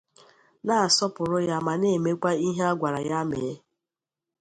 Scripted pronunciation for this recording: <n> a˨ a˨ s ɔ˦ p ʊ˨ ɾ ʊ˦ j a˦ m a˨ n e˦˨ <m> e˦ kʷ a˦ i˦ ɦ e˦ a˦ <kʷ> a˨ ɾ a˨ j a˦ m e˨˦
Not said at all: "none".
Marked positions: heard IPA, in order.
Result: n, m, ɡʷ

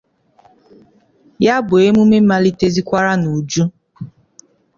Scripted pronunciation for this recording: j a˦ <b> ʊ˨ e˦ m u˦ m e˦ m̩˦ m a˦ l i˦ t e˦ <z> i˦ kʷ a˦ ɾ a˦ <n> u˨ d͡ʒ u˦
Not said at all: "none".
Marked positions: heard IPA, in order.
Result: b, z, n

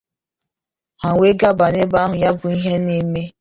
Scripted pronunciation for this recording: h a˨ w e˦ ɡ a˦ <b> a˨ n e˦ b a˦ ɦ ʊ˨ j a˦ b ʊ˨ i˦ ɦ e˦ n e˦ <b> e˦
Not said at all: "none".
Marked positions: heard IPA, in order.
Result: b, m

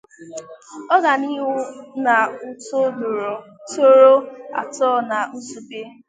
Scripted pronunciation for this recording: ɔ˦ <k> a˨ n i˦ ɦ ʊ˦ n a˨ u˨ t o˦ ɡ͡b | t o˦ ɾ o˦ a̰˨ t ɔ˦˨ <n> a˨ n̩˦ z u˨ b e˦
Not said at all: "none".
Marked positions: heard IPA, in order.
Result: ɡ, n

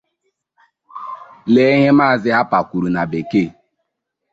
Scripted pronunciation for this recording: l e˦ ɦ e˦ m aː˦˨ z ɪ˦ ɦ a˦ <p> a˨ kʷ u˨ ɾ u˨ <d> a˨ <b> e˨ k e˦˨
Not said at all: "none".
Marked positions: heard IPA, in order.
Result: p, n, b

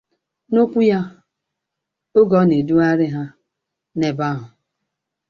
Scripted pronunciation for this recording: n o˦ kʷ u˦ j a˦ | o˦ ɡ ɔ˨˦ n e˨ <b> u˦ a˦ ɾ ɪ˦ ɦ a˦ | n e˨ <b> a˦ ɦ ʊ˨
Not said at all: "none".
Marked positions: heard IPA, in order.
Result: d, b

